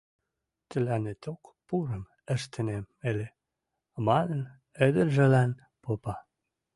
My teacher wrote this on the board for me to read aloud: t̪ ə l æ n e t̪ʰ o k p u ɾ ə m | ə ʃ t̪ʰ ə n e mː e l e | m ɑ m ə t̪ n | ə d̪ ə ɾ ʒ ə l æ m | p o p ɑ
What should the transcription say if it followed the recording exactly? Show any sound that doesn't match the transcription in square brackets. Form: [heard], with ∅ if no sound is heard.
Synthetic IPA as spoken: t̪ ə l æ n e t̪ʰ o k p u ɾ ə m | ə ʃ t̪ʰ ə n e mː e l e | m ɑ [n] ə [∅] n | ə d̪ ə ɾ ʒ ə l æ [n] | p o p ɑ